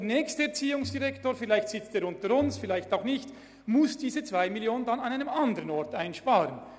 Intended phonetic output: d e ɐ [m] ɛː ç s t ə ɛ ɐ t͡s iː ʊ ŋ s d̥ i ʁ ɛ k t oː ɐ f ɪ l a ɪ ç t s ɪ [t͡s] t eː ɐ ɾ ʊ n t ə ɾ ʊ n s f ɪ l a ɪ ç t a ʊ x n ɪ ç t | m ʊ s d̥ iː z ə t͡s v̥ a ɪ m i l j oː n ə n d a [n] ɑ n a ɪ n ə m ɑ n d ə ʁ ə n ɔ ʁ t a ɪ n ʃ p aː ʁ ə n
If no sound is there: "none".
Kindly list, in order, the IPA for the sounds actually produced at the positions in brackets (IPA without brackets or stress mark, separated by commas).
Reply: n, t͡s, n